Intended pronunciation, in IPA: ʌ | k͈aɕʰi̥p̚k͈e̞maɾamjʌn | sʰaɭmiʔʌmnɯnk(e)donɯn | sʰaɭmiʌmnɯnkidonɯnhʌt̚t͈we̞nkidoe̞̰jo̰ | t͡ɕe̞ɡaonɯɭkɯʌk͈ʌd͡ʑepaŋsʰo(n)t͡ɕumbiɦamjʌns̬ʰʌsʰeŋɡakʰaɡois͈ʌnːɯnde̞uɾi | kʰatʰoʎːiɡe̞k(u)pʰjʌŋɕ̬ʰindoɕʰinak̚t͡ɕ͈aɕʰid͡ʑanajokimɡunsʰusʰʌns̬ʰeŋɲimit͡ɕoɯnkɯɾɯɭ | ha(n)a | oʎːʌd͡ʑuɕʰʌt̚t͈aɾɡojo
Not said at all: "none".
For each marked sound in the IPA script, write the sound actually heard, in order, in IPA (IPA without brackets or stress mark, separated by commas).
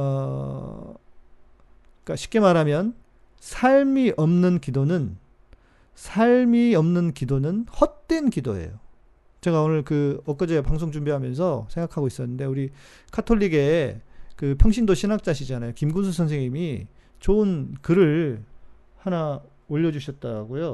i, ŋ, ɯ, n